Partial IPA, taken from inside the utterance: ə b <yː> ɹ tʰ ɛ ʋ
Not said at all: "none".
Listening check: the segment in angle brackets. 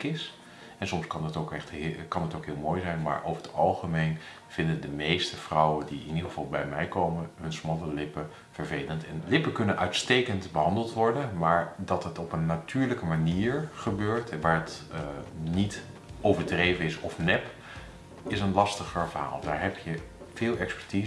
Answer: øː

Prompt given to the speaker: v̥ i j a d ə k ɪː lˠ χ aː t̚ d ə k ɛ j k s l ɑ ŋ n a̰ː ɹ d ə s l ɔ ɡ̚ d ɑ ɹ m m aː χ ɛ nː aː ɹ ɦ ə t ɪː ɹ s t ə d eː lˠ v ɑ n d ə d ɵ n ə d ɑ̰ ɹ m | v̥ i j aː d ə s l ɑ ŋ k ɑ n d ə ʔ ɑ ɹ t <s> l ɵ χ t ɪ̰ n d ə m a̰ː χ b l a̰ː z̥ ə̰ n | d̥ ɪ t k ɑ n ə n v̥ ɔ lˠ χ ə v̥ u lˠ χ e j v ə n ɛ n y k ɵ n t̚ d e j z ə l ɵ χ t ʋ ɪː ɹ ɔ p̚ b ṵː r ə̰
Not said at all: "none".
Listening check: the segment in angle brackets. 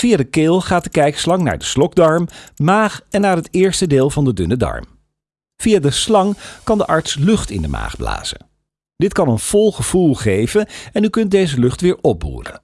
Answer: s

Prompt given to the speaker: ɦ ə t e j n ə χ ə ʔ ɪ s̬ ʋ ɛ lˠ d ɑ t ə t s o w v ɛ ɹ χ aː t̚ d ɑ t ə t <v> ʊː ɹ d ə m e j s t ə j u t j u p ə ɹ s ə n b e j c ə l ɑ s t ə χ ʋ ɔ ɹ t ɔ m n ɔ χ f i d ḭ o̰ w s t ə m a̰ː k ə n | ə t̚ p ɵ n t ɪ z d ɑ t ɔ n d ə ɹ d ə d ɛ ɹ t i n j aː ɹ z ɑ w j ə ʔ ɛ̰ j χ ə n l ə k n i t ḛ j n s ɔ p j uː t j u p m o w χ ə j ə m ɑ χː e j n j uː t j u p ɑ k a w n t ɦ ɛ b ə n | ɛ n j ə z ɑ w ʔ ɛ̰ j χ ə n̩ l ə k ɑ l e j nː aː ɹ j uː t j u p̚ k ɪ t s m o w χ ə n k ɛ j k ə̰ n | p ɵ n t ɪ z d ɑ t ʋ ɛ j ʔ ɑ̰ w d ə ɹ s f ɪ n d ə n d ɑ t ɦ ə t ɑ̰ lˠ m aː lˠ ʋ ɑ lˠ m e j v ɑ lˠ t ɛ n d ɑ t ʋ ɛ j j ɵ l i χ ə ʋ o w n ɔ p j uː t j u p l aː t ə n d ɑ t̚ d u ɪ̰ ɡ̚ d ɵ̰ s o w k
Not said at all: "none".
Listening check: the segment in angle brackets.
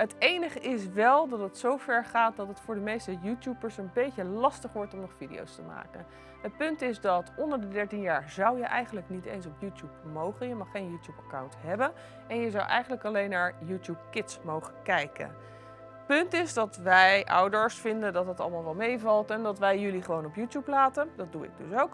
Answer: f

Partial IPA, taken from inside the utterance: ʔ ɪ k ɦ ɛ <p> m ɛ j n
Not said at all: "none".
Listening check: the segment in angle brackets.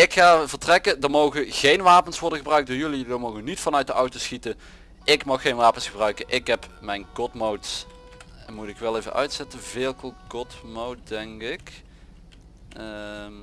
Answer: p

